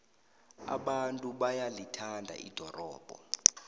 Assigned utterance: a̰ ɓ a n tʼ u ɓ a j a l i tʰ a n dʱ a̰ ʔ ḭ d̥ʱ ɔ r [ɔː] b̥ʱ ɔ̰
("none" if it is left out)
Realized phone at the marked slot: ɔː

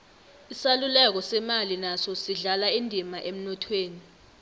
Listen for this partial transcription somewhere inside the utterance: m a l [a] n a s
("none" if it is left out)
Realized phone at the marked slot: i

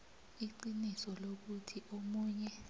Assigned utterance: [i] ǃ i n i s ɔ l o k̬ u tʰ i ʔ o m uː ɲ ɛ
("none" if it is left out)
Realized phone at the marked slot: i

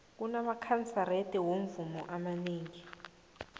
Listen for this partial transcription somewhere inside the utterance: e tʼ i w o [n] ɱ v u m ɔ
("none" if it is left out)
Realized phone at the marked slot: none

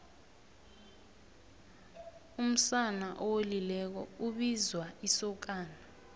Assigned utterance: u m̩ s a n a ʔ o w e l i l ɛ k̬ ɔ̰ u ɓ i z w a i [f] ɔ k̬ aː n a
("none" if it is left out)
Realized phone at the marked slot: s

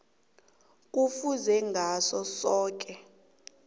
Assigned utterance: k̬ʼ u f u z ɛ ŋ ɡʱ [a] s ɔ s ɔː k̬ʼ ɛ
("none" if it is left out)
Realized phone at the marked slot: a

